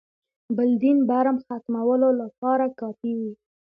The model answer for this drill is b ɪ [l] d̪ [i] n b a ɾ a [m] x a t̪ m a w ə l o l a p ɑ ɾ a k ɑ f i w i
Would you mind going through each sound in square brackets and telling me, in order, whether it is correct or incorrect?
correct, correct, correct

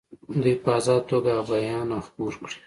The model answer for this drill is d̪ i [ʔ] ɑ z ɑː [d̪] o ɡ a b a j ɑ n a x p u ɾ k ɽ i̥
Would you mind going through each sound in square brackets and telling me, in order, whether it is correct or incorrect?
incorrect, incorrect

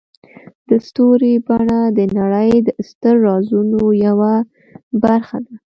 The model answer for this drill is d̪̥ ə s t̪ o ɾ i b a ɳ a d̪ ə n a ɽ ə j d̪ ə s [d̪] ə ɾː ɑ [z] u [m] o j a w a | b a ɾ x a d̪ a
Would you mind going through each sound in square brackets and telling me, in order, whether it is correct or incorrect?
incorrect, correct, incorrect

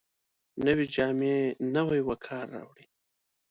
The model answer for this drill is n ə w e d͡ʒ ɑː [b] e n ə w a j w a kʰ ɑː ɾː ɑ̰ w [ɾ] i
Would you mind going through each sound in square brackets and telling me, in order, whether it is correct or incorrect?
incorrect, incorrect

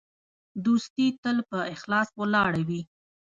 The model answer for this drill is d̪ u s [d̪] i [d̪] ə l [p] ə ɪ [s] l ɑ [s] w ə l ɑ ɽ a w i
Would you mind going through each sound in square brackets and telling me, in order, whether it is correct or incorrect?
incorrect, incorrect, correct, incorrect, correct

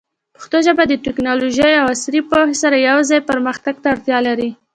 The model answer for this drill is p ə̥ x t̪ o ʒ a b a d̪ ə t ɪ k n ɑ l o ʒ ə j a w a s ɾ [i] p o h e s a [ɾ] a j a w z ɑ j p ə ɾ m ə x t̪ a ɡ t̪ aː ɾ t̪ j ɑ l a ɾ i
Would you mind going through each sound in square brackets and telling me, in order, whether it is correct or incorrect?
correct, correct

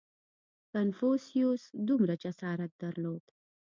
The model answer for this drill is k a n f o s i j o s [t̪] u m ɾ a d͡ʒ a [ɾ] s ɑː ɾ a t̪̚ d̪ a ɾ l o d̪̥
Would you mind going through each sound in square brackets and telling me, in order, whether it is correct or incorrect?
incorrect, incorrect

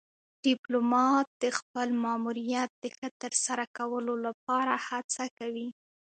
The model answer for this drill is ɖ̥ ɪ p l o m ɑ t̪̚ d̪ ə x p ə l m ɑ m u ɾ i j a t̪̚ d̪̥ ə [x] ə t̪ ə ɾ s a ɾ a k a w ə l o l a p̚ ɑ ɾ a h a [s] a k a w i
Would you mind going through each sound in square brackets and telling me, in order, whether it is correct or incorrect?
correct, incorrect

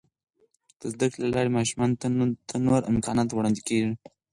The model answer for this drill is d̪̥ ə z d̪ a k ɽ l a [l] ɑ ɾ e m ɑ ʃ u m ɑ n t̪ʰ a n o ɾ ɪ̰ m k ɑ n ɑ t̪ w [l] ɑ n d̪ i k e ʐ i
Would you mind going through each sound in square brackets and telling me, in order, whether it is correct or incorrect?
correct, incorrect

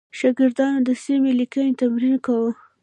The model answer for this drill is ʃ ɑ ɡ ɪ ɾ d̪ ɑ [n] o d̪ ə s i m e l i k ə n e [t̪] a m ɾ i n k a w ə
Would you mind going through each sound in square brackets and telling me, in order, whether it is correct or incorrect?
correct, correct

